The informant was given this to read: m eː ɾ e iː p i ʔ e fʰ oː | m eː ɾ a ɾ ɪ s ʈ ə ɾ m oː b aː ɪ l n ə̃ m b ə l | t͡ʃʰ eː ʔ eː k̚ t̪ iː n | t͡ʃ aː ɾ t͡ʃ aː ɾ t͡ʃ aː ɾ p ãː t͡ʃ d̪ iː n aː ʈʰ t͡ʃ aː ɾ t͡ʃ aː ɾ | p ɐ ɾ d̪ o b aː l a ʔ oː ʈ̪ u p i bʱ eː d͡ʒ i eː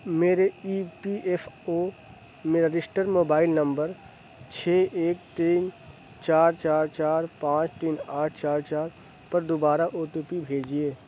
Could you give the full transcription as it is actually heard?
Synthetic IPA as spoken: m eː ɾ e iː p i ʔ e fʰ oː | m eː ɾ a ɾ ɪ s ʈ ə ɾ m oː b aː ɪ l n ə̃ m b ə ɾ | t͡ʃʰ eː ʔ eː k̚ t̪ iː n | t͡ʃ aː ɾ t͡ʃ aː ɾ t͡ʃ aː ɾ p ãː t͡ʃ t̪ iː n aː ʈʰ t͡ʃ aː ɾ t͡ʃ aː ɾ | p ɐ ɾ d̪ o b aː ɾ a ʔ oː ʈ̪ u p i bʱ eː d͡ʒ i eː